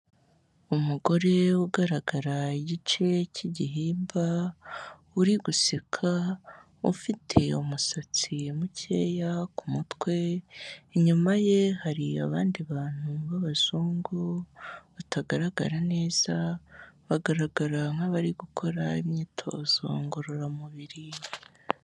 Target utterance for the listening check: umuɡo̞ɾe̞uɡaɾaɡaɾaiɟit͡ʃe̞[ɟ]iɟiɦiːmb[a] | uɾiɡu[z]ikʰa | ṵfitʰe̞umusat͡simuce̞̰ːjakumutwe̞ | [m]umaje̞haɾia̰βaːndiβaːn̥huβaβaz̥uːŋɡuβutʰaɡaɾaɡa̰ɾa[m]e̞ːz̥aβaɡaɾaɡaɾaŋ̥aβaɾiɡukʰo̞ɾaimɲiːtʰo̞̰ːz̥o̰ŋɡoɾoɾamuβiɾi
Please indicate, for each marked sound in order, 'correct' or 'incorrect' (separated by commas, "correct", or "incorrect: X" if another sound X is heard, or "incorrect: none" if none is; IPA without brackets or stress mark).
incorrect: c, correct, incorrect: s, incorrect: ɲ, incorrect: n